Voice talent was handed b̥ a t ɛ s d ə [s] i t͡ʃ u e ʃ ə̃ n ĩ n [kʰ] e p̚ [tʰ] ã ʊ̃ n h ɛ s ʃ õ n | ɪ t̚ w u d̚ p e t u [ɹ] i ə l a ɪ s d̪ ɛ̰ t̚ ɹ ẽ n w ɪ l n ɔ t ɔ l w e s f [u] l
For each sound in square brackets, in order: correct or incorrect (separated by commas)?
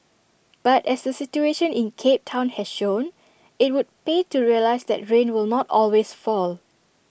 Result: correct, correct, correct, correct, incorrect